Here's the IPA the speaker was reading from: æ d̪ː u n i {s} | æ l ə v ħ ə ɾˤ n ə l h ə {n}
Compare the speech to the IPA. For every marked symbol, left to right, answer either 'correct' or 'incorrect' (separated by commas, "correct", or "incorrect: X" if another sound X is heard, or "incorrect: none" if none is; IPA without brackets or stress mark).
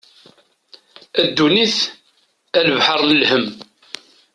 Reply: incorrect: θ, incorrect: m